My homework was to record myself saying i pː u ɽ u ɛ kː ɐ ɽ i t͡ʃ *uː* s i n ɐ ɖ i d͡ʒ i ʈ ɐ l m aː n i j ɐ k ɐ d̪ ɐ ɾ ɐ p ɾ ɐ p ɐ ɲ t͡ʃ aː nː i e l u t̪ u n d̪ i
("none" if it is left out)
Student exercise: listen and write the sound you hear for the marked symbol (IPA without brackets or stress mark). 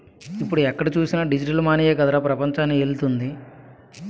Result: uː